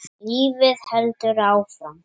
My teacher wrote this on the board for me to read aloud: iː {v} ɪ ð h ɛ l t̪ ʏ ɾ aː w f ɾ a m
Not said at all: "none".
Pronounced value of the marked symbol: v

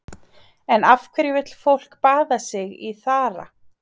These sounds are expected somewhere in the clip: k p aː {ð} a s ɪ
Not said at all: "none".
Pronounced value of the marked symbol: ð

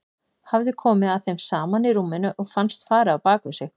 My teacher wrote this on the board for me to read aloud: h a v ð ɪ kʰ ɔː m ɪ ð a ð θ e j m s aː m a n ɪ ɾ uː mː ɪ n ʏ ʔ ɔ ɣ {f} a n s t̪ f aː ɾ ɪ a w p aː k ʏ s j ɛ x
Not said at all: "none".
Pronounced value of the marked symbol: f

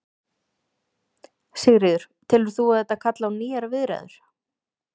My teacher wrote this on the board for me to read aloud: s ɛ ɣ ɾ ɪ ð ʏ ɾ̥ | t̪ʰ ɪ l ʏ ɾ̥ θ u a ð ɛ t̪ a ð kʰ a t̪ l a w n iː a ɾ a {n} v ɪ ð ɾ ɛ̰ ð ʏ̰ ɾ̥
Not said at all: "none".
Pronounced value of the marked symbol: none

